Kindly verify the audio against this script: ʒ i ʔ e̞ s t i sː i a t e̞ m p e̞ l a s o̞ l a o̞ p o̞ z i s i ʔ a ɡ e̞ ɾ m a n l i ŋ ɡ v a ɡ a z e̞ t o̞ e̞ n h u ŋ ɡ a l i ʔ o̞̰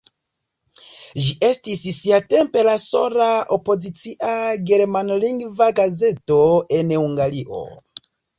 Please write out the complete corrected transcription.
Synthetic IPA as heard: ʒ i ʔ e̞ s t i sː i a t e̞ m p e̞ l a s o̞ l a o̞ p o̞ z i t͡s i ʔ a ɡ e̞ ɾ m a n l i ŋ ɡ v a ɡ a z e̞ t o̞ e̞ n h u ŋ ɡ a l i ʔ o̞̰